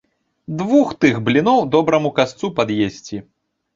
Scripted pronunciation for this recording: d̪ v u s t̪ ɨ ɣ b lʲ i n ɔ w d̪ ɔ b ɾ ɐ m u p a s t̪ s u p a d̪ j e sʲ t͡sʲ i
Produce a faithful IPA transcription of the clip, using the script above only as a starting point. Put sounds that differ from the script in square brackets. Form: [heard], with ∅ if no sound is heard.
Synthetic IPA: d̪ v u [x] t̪ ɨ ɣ b lʲ i n ɔ w d̪ ɔ b ɾ ɐ m u [k] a s t̪ s u p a d̪ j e sʲ t͡sʲ i